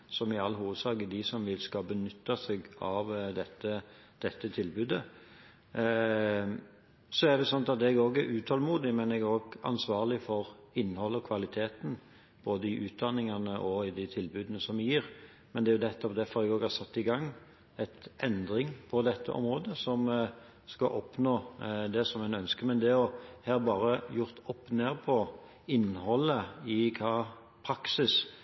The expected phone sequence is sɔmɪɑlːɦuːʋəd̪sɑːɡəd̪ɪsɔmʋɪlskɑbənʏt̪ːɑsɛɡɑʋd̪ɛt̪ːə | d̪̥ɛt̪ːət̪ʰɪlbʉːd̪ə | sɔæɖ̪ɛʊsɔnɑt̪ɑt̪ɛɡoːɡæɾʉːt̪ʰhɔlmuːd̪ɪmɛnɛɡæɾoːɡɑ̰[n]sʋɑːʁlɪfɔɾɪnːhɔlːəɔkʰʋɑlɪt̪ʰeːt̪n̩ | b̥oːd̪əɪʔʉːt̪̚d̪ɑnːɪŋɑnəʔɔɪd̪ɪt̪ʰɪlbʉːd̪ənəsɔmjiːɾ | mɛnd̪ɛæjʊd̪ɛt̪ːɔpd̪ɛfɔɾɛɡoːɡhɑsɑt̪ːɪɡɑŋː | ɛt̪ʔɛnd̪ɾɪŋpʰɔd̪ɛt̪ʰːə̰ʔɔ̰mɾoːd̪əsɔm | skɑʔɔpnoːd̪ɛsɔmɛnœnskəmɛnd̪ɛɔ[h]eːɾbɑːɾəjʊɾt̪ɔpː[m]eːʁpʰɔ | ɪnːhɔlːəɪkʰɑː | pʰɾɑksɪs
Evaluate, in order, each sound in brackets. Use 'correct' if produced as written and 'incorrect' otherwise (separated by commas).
correct, correct, incorrect